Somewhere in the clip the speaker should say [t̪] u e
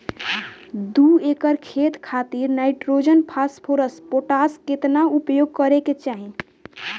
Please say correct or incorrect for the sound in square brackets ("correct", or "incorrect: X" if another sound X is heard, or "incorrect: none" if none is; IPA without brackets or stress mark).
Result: incorrect: d̪